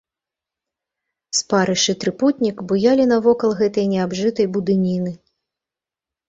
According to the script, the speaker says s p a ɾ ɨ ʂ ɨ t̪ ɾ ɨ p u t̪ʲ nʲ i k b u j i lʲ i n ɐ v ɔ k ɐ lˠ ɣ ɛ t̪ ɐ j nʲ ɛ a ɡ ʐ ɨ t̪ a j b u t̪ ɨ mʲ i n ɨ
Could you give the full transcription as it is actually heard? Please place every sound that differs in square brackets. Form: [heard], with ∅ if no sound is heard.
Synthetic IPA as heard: s p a ɾ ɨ ʂ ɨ t̪ ɾ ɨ p u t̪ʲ nʲ i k b u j [a] lʲ i n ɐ v ɔ k ɐ lˠ ɣ ɛ t̪ ɐ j nʲ ɛ a [b] ʐ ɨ t̪ [ɐ] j b u [d̪] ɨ [nʲ] i n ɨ